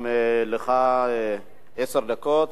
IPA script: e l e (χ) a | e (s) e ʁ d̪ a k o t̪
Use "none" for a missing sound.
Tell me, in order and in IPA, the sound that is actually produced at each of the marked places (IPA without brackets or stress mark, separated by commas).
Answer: χ, s